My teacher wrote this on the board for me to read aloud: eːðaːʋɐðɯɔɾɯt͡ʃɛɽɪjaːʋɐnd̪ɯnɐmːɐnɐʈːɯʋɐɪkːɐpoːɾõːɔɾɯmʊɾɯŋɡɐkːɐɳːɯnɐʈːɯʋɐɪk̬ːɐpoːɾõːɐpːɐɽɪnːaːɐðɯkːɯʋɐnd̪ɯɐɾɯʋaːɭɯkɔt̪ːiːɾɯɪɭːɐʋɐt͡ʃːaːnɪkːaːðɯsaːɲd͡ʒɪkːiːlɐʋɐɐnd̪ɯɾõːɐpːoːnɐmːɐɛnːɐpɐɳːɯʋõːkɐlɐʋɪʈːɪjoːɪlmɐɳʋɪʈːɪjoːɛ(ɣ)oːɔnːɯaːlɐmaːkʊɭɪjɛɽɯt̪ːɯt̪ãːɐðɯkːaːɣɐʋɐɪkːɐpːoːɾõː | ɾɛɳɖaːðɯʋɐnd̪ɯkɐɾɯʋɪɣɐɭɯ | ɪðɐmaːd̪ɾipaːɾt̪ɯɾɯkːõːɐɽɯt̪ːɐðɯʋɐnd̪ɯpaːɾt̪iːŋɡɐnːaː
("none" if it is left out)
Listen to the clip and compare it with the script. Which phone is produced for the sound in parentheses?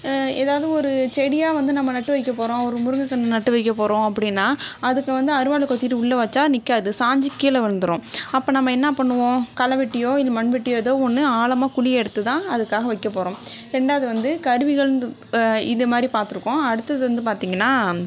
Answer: ð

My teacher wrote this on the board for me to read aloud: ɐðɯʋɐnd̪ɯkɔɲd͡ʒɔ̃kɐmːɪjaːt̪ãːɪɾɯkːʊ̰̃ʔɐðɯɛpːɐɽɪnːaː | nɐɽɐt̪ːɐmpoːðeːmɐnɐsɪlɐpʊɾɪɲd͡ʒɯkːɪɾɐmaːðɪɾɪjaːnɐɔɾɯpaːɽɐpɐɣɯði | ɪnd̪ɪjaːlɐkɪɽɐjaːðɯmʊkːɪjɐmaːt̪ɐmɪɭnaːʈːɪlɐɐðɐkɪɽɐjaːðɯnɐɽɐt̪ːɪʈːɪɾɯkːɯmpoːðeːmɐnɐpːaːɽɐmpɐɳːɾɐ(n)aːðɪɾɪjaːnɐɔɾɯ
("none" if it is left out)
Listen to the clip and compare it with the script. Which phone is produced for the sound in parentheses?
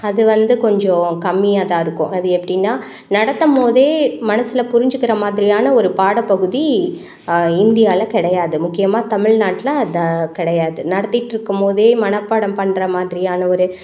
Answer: m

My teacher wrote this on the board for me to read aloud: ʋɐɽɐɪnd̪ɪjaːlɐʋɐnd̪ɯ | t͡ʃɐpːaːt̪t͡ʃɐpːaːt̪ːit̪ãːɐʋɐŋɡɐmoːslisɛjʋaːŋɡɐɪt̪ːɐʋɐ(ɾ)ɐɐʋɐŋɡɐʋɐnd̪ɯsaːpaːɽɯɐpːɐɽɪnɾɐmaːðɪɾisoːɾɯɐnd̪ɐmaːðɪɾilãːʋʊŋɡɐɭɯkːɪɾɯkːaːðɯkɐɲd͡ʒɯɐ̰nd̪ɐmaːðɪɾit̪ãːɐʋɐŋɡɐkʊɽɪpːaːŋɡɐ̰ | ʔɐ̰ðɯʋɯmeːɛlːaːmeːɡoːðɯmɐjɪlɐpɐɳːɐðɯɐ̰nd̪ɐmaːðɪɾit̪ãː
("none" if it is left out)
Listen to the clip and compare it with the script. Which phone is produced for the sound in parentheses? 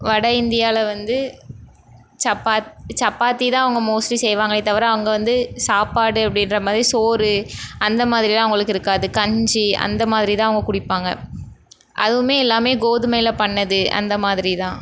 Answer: ɾ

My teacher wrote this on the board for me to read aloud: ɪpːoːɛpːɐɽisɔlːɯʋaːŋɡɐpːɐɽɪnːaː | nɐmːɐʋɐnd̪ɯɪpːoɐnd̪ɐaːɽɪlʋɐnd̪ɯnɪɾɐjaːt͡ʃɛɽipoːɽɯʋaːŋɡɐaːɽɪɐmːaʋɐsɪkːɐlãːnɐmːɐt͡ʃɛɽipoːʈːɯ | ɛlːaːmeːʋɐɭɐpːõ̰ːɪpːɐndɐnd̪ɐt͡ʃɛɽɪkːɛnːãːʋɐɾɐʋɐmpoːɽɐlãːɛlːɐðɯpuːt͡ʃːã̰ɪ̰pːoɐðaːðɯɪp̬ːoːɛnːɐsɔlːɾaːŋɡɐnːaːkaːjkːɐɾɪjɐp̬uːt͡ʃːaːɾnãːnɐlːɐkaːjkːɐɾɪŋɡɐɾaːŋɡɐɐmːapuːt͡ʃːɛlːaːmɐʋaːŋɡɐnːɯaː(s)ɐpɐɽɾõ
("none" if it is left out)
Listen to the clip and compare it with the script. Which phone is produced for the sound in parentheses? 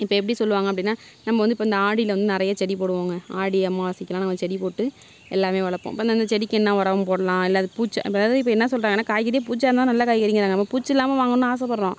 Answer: s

